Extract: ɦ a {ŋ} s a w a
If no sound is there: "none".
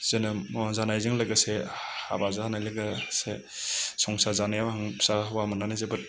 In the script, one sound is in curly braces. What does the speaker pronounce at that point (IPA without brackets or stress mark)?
ŋ